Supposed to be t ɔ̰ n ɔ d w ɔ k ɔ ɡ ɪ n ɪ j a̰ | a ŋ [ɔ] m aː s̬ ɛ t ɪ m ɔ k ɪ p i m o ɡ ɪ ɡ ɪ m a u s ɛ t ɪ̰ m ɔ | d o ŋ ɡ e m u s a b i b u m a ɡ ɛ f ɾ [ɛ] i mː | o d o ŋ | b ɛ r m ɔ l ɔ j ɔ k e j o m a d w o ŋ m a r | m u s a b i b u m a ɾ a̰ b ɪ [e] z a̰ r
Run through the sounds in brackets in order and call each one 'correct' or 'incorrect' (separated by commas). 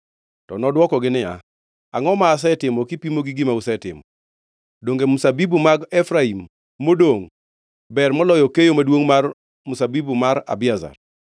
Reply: correct, incorrect, incorrect